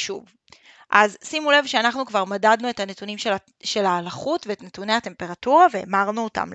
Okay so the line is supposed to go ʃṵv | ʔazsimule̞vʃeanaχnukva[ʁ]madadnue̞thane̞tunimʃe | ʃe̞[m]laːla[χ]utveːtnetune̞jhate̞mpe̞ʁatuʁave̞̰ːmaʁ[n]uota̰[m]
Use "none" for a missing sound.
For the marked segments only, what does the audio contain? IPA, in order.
ʁ, none, χ, n, m

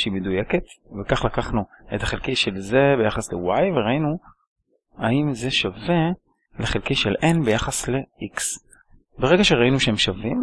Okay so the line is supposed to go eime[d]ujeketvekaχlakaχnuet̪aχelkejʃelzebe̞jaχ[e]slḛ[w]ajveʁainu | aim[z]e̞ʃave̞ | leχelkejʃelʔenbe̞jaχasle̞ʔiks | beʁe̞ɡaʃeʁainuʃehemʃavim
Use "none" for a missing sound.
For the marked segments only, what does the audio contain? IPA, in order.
d, a, w, z

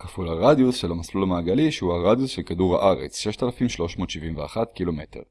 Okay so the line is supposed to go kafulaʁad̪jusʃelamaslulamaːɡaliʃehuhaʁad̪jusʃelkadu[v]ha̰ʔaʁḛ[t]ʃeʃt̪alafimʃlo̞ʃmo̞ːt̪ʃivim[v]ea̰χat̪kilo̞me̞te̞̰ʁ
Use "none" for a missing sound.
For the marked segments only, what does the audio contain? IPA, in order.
ʁ, t͡s, v

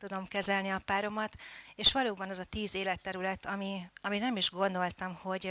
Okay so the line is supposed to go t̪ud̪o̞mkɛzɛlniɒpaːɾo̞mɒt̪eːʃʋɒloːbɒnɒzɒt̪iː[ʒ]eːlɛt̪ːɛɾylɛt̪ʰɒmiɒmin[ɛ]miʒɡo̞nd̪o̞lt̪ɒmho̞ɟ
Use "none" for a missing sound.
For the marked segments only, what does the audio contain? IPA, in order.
z, ɛ

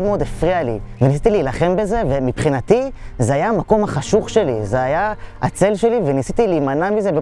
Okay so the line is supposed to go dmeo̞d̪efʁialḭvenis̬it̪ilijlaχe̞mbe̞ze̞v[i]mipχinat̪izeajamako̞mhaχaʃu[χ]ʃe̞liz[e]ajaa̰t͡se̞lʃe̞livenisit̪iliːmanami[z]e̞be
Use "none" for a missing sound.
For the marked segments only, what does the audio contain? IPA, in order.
e, χ, e, z

